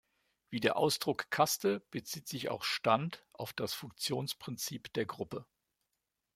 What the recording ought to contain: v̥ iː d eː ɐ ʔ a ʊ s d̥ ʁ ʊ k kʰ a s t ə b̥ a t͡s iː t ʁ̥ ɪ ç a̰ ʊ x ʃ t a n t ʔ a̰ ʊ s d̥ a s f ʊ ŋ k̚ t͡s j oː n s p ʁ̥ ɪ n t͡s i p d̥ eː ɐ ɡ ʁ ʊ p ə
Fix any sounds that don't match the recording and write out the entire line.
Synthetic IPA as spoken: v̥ iː d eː ɐ ʔ a ʊ s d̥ ʁ ʊ k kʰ a s t ə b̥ ə t͡s iː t z̥ ɪ ç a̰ ʊ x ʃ t a n t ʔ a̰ ʊ f d̥ a s f ʊ ŋ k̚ t͡s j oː n s p ʁ̥ ɪ n t͡s iː p d̥ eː ɐ ɡ ʁ ʊ p ə